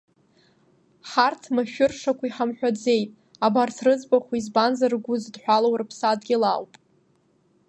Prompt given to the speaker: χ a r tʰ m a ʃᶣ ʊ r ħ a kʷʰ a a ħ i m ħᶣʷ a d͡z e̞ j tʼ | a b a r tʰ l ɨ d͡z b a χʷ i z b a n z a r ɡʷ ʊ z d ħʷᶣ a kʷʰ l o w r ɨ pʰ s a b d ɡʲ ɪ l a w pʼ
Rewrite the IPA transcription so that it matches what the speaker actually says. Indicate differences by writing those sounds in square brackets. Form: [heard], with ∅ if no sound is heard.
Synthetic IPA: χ a r tʰ m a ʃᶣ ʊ r [ʂ] a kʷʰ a [i] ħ [a] m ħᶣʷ a d͡z e̞ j tʼ | a b a r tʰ [r] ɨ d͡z b a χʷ i z b a n z a r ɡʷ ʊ z d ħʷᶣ a [∅] l o w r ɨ pʰ s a [∅] d ɡʲ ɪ l a w pʼ